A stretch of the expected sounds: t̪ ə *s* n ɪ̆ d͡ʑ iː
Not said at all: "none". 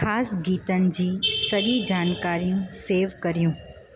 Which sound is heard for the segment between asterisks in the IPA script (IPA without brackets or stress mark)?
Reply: none